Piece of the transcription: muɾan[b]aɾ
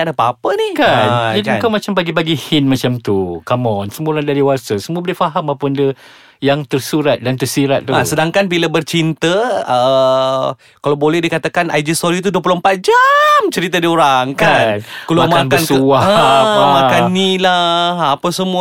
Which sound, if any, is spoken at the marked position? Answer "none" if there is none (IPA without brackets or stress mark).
d